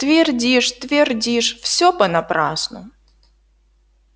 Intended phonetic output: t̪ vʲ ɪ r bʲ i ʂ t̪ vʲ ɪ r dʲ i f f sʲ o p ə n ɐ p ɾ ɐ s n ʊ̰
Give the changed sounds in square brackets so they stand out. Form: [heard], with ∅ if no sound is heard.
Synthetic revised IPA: t̪ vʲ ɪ r [dʲ] i ʂ t̪ vʲ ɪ r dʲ i [ʂ] f sʲ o p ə n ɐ p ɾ [a] s n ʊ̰